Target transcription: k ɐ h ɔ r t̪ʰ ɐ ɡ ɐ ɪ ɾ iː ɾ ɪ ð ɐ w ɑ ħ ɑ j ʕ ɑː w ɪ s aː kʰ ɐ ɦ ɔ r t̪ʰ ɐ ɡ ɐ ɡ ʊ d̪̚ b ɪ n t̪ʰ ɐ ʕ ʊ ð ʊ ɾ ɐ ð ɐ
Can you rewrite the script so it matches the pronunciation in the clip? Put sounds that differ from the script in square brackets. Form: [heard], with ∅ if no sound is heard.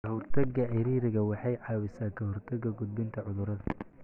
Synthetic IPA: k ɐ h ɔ r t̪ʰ ɐ ɡ ɐ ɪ ɾ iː ɾ ɪ [ɣ] ɐ w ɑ ħ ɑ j ʕ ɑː w ɪ s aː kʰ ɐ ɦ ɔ r t̪ʰ ɐ ɡ ɐ ɡ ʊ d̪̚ b ɪ n t̪ʰ ɐ ʕ ʊ ð ʊ ɾ ɐ ð ɐ